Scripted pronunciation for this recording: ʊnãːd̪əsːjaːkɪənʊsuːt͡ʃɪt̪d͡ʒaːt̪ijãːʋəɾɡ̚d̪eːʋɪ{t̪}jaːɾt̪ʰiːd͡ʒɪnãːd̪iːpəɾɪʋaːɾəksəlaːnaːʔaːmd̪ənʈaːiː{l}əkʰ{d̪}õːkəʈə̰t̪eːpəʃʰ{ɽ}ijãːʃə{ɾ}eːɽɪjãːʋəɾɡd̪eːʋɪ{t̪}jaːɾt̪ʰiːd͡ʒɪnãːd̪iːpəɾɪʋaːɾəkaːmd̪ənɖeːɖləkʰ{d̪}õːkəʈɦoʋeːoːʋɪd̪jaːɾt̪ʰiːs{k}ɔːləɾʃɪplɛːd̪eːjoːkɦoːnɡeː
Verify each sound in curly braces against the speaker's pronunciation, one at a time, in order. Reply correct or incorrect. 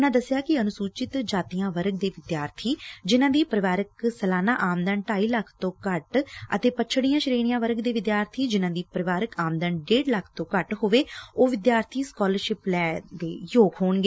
incorrect, correct, incorrect, correct, correct, incorrect, incorrect, correct

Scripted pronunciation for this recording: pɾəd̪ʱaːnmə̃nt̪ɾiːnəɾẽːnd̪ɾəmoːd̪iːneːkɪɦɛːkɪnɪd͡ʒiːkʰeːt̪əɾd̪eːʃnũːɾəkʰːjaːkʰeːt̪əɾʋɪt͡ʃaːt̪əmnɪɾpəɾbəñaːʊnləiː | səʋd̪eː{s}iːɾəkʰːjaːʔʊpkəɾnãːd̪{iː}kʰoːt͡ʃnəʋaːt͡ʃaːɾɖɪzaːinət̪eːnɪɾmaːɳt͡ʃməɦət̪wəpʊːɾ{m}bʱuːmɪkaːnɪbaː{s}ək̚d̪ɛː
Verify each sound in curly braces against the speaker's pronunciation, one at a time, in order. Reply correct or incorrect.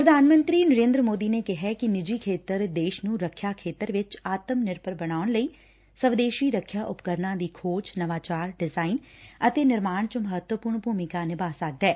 incorrect, correct, incorrect, correct

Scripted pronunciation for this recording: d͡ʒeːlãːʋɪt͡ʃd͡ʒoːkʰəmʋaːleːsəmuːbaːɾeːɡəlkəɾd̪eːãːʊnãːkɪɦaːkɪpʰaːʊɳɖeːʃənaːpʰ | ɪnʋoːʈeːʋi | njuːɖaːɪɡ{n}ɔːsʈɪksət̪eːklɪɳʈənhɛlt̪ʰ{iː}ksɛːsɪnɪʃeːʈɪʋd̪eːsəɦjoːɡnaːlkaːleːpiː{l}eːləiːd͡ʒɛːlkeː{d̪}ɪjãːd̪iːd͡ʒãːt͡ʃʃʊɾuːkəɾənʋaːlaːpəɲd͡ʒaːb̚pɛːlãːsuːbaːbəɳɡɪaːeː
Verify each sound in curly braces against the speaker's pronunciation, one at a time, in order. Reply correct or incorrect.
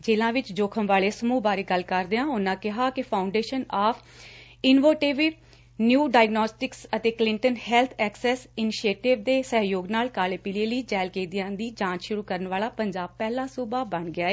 correct, incorrect, correct, correct

